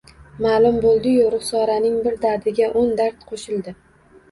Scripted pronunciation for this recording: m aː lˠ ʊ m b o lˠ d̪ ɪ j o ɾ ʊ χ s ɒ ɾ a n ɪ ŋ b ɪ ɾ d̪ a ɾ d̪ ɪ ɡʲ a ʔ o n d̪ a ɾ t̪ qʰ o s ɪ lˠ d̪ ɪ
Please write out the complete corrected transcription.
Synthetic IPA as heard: m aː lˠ ʊ m b o lˠ d̪ ɪ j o ɾ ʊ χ s ɒ ɾ a n ɪ ŋ b ɪ ɾ d̪ a ɾ d̪ ɪ ɡʲ a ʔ o n d̪ a ɾ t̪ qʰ o ʃ ɪ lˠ d̪ ɪ

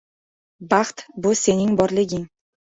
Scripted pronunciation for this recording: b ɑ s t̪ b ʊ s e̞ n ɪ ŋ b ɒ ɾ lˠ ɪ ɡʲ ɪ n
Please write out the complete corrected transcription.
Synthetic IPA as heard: b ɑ χ t̪ b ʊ s e̞ n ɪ ŋ b ɒ ɾ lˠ ɪ ɡʲ ɪ ŋ

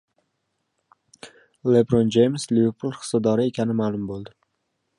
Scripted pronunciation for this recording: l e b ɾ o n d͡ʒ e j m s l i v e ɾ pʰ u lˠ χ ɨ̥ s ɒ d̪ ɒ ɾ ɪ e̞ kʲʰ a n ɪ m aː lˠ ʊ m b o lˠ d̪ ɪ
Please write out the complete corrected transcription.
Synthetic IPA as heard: l e b ɾ o n d͡ʒ e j m s l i v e ɾ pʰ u lˠ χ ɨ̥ s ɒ d̪ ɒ ɾ ɪ e̞ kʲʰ a n ɪ m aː lˠ ʊ m b o lˠ d̪ ɪ

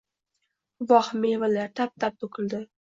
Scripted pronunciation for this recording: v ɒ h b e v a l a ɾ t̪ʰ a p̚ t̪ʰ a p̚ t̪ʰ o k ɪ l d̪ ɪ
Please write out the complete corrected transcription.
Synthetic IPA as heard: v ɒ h m e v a l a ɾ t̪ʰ a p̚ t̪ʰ a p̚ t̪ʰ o k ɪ l d̪ ɪ

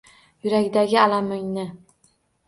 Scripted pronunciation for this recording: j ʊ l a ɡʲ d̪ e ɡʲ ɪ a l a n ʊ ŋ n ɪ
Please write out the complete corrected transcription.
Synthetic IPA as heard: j ʊ ɾ a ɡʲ d̪ a ɡʲ ɪ a l a m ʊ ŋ n ɪ

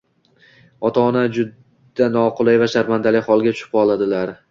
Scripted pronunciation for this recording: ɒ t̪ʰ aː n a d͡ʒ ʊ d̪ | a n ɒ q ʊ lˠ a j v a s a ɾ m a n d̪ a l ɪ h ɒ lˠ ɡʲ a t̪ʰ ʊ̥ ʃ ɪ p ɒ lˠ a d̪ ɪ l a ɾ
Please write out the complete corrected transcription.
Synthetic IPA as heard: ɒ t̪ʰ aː n a d͡ʒ ʊ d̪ | a n ɒ q ʊ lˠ a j v a ʃ a ɾ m a n d̪ a l ɪ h ɒ lˠ ɡʲ a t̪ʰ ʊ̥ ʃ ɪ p ɒ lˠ a d̪ ɪ l a ɾ

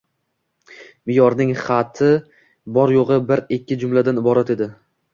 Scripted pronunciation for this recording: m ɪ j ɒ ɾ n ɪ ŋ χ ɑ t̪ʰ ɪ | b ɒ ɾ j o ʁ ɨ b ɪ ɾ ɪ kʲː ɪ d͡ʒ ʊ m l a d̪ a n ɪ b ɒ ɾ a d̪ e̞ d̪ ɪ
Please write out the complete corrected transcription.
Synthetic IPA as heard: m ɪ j ɒ ɾ n ɪ ŋ χ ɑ t̪ʰ ɪ | b ɒ ɾ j o ʁ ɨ b ɪ ɾ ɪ kʲː ɪ d͡ʒ ʊ m l a d̪ a n ɪ b ɒ ɾ a t̪ e̞ d̪ ɪ

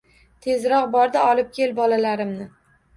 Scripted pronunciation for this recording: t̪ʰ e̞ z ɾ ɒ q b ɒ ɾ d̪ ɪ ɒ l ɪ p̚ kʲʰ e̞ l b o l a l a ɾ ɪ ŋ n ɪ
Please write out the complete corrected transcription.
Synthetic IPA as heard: t̪ʰ e̞ z ɾ ɒ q b ɒ ɾ d̪ ɪ ɒ l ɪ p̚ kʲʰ e̞ l b ɒ l a l a ɾ ɪ m n ɪ

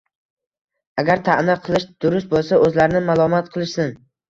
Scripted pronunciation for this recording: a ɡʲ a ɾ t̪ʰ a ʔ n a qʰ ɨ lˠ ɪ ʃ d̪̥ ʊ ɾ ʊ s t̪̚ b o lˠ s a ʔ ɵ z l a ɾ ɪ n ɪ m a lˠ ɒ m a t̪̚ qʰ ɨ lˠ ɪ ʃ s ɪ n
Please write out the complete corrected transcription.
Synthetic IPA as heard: a ɡʲ a ɾ t̪ʰ a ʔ n a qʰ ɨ lˠ ɪ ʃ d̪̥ ʊ ɾ ʊ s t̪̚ b o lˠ s a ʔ ɵ z l a ɾ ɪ n ɪ m a lˠ ɒ m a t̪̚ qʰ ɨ lˠ ɪ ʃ s ɪ n

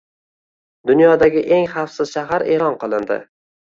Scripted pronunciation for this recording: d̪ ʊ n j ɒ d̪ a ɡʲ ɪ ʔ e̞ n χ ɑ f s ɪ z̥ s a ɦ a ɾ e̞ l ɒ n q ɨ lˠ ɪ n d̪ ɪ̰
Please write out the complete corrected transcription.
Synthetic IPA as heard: d̪ ʊ n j ɒ d̪ a ɡʲ ɪ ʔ e̞ ŋ χ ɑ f s ɪ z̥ ʃ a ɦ a ɾ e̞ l ɒ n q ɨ lˠ ɪ n d̪ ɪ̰

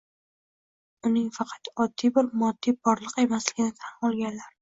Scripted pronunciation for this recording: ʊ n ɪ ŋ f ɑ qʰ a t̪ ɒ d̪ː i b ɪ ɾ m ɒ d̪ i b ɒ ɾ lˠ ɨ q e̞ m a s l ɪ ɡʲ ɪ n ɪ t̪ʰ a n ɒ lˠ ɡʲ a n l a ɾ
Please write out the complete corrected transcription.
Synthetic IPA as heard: ʊ n ɪ ŋ f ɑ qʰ ɑ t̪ ɒ d̪ː i b ɪ ɾ m ɒ d̪ː i b ɒ ɾ lˠ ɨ q e̞ m a s l ɪ ɡʲ ɪ n ɪ t̪ʰ a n ɒ lˠ ɡʲ a n l a ɾ

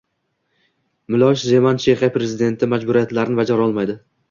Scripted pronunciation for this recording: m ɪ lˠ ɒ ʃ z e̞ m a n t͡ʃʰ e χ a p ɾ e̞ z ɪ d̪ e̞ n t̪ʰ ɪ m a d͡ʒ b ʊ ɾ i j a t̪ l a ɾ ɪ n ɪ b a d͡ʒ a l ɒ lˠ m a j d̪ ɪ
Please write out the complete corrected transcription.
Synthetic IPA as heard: m ɪ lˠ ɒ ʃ z e̞ m a n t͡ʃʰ e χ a p ɾ e̞ z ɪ d̪ e̞ n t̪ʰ ɪ m a d͡ʒ b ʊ ɾ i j a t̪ l a ɾ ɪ n ɪ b a d͡ʒ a ɾ ɒ lˠ m a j d̪ ɪ

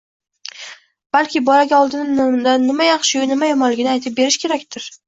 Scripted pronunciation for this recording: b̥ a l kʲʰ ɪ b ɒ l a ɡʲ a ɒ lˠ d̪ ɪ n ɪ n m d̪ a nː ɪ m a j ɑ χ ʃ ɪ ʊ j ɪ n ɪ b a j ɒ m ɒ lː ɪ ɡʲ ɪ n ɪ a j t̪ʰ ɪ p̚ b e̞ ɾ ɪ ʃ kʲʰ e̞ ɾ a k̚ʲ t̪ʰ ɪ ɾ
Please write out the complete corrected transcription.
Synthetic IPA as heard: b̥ a l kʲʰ ɪ b ɒ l a ɡʲ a ɒ lˠ d̪ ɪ n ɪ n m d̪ a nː ɪ m a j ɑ χ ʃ ɪ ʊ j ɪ n ɪ m a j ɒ m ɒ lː ɪ ɡʲ ɪ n ɪ a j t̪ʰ ɪ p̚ b e̞ ɾ ɪ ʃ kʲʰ e̞ ɾ a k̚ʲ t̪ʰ ɪ ɾ

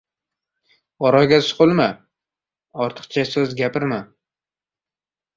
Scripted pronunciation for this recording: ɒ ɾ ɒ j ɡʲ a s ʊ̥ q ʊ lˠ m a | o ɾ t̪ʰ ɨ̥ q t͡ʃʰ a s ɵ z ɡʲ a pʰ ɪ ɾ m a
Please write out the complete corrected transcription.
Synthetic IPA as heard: ɒ ɾ ɒ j ɡʲ a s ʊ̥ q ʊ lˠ m a | ɒ ɾ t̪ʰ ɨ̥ q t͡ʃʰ a s ɵ z ɡʲ a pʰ ɪ ɾ m a

